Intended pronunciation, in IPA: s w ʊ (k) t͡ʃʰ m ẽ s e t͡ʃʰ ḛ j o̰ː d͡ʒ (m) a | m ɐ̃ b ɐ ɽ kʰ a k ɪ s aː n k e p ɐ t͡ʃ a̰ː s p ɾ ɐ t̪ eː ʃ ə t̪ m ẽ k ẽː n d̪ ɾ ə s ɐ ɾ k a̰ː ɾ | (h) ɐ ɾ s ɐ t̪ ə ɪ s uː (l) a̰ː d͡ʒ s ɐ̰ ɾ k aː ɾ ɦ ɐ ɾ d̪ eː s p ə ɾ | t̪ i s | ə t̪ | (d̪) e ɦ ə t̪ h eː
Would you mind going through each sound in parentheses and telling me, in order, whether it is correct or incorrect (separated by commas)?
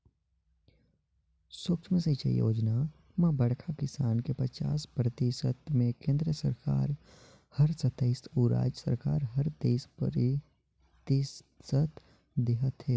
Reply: correct, incorrect, correct, incorrect, correct